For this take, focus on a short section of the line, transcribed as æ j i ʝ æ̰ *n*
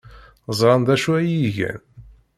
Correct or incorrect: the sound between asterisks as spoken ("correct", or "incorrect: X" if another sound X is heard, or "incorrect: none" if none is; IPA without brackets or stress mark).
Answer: correct